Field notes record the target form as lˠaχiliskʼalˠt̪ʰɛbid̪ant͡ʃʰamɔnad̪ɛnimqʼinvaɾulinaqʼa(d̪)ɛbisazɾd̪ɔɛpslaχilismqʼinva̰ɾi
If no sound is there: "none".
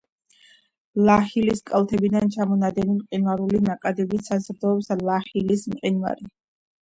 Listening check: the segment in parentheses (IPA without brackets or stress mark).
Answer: d̪